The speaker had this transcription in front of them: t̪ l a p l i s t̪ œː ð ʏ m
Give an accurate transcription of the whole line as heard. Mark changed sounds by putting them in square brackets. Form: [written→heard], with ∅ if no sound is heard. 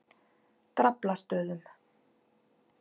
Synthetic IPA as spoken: t̪ [l→ɾ] a p l [i→a] s t̪ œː ð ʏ m

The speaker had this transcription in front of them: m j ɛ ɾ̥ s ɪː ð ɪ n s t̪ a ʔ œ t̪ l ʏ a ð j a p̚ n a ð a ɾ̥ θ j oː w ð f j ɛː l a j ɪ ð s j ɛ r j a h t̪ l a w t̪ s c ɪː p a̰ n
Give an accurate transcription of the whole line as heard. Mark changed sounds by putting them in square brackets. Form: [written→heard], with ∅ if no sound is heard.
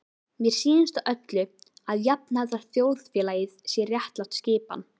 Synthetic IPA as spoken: m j ɛ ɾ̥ s [ɪː→iː] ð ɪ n s t̪ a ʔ œ t̪ l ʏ a ð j a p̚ n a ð a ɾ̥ θ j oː w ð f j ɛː l a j ɪ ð s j ɛ r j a h t̪ l a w t̪ s c ɪː p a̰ n

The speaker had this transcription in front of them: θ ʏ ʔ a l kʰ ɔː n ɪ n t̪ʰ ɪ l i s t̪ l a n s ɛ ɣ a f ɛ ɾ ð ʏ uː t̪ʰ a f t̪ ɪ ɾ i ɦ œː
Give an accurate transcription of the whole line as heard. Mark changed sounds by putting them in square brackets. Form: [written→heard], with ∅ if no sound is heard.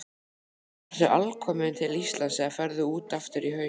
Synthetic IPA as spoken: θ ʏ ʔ a l kʰ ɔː [n→m] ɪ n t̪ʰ ɪ l i s t̪ l a n s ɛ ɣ a f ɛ ɾ ð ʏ uː [t̪ʰ→t̪] a f t̪ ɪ ɾ i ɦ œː

